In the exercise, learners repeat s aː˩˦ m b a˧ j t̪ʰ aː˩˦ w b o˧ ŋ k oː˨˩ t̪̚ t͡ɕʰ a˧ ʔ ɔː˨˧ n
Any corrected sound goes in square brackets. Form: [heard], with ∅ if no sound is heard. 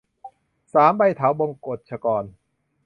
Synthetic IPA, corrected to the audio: s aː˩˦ m b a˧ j t̪ʰ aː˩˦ w b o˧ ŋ k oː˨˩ t̪̚ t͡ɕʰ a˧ [k] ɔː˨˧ n